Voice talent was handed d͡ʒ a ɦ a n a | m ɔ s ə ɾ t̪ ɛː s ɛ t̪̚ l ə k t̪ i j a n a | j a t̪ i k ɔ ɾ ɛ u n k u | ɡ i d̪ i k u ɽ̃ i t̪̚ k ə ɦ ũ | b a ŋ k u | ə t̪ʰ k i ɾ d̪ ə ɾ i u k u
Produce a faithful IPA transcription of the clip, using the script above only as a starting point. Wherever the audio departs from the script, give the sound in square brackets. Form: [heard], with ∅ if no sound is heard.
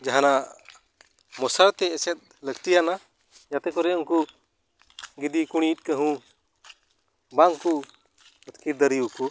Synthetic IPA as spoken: d͡ʒ a ɦ a n a | m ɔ s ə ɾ t̪ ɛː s ɛ t̪̚ l ə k t̪ i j a n a | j a t̪ [ɛ] k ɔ ɾ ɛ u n k u | ɡ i d̪ i k u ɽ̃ i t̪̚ k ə ɦ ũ | b a ŋ k u | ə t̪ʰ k i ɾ d̪ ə ɾ i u k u

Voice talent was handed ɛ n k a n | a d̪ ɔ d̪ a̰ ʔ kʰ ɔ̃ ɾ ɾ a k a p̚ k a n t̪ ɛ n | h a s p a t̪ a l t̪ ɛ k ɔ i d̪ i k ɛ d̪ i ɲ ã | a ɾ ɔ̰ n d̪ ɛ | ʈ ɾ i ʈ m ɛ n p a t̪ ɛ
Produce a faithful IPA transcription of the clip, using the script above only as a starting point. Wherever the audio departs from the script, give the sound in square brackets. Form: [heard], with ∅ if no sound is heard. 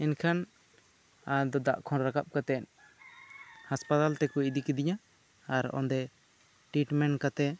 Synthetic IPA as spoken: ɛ n [kʰ] a n | a d̪ ɔ d̪ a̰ ʔ kʰ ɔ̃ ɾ ɾ a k a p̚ k a [∅] t̪ ɛ n | h a s p a t̪ a l t̪ ɛ k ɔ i d̪ i k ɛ d̪ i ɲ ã | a ɾ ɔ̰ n d̪ ɛ | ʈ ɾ i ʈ m ɛ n [k] a t̪ ɛ

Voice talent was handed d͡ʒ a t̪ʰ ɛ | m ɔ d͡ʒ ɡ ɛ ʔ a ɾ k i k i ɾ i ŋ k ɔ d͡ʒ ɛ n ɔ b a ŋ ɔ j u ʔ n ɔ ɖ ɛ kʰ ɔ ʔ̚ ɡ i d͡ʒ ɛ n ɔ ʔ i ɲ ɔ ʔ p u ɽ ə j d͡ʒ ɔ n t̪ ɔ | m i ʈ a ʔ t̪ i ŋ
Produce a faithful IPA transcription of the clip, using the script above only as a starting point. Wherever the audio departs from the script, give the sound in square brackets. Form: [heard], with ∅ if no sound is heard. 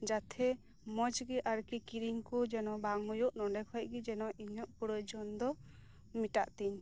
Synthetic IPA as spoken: d͡ʒ a t̪ʰ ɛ | m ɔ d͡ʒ ɡ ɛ ʔ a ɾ k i k i ɾ i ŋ k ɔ d͡ʒ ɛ n ɔ b a ŋ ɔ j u ʔ n ɔ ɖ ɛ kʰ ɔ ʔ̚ ɡ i d͡ʒ ɛ n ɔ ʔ i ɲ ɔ ʔ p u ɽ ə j d͡ʒ ɔ n [d̪] ɔ | m i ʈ a ʔ t̪ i [ɲ]

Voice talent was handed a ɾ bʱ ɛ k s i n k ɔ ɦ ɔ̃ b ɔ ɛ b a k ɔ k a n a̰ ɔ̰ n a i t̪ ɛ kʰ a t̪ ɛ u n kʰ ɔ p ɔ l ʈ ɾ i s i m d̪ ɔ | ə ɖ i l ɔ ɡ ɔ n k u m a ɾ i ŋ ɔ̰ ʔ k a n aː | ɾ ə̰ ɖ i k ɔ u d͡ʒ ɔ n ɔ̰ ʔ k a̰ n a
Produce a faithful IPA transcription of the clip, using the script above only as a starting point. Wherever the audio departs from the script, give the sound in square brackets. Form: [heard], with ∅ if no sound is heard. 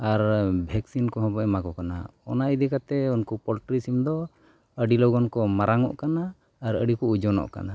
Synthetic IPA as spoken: a ɾ bʱ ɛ k s i n k ɔ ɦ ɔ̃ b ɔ ɛ [m] a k ɔ k a n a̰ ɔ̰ n a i [d̪] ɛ [k] a t̪ ɛ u n [k] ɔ p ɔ l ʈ ɾ i s i m d̪ ɔ | ə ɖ i l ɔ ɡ ɔ n k [ɔ] m a ɾ [a] ŋ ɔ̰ ʔ k a n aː | ɾ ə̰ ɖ i k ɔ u d͡ʒ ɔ n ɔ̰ ʔ k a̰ n a

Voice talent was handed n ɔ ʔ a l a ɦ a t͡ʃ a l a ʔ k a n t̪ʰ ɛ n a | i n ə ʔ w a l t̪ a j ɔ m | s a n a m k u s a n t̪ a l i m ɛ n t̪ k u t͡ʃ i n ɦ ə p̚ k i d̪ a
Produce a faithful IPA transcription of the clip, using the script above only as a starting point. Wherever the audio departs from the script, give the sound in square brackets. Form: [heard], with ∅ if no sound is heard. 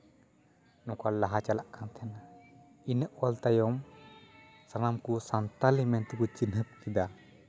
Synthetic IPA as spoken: n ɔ [k] a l a ɦ a t͡ʃ a l a ʔ k a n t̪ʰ ɛ n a | i n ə ʔ w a l t̪ a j ɔ m | s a n a m k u s a n t̪ a l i m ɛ n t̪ k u t͡ʃ i n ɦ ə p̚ k i d̪ a

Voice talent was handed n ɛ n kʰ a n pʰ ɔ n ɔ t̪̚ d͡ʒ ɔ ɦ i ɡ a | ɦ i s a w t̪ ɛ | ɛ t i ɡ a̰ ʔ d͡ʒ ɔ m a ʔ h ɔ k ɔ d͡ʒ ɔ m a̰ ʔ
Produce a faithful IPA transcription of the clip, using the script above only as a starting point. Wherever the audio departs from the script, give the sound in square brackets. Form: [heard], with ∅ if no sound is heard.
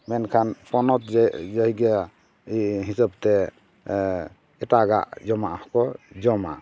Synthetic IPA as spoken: [m] ɛ n kʰ a n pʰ ɔ n ɔ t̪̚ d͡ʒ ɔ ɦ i ɡ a | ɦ i s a [b] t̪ ɛ | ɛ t [a] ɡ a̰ ʔ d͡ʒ ɔ m a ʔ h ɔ k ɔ d͡ʒ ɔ m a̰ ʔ

